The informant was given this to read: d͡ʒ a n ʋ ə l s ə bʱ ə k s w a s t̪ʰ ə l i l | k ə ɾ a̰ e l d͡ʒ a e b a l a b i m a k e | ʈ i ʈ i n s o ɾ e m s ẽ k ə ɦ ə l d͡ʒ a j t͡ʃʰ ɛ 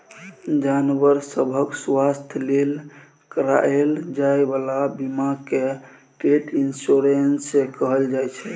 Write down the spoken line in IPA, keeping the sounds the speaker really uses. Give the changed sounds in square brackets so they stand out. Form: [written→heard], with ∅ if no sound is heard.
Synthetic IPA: d͡ʒ a n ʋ ə [l→ɾ] s ə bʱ ə k s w a s t̪ʰ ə l [i→e] l | k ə ɾ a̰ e l d͡ʒ a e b a l a b i m a k e | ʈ [i→e] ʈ i n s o ɾ e [m→n] s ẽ k ə ɦ ə l d͡ʒ a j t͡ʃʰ ɛ